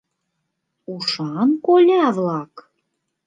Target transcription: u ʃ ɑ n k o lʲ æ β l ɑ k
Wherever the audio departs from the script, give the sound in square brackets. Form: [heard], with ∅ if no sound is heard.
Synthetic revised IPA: u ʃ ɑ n k o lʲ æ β l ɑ k